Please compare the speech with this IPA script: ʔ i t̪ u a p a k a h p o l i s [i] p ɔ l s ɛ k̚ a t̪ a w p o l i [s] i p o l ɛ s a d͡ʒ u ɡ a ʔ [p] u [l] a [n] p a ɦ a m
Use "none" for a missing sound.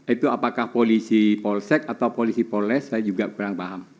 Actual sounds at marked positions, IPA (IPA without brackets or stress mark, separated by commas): i, s, k, ɾ, ŋ